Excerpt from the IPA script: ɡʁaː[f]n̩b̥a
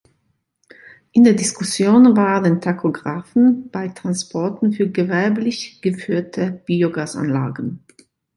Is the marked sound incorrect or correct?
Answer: correct